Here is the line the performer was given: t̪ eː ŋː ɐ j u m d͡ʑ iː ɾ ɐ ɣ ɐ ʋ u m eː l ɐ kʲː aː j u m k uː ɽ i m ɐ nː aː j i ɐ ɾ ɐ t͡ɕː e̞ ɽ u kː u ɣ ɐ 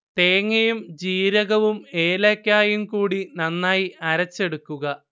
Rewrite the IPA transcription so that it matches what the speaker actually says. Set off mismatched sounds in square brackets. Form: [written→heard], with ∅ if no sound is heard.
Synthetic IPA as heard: t̪ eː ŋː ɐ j u m d͡ʑ iː ɾ ɐ ɣ ɐ ʋ u m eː l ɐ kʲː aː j u m k uː ɽ i [m→n] ɐ nː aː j i ɐ ɾ ɐ t͡ɕː e̞ ɽ u kː u ɣ ɐ